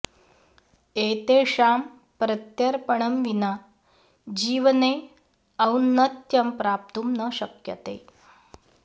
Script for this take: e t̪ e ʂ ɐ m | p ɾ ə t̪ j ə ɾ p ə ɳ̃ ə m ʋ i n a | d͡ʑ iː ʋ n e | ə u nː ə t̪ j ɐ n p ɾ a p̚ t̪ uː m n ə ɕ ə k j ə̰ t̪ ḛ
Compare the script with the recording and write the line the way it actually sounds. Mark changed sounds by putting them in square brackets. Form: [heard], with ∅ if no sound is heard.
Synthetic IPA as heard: e t̪ e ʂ [a] m | p ɾ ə t̪ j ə ɾ p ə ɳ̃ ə m ʋ i n a | d͡ʑ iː ʋ n e | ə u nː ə t̪ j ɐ [m] p ɾ a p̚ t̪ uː m n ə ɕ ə k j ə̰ t̪ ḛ